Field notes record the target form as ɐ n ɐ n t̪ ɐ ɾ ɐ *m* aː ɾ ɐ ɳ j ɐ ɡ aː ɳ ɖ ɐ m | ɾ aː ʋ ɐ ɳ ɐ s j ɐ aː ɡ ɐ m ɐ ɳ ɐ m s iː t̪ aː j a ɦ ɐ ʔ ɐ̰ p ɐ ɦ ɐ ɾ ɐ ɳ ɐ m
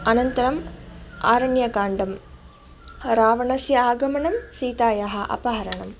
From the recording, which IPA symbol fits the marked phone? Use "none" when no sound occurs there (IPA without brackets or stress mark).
m